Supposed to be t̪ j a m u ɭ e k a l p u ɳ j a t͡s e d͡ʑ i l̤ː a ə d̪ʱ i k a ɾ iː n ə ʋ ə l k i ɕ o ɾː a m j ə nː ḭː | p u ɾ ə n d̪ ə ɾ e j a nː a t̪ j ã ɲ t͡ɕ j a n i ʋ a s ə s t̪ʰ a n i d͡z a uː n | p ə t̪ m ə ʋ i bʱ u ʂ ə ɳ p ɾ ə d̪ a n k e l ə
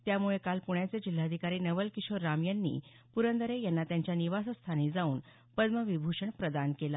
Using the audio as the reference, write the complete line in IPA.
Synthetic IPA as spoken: t̪ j a m u ɭ e k a l p u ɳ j a t͡s e d͡ʑ i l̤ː a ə d̪ʱ i k a ɾ iː n ə ʋ ə l k i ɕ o ɾː a m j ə nː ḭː | p u ɾ ə n d̪ ə ɾ e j a nː a t̪ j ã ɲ t͡ɕ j a n i ʋ a s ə s t̪ʰ a n i d͡z a uː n | p ə d̪ m ə ʋ i bʱ u ʂ ə ɳ p ɾ ə d̪ a n k e l a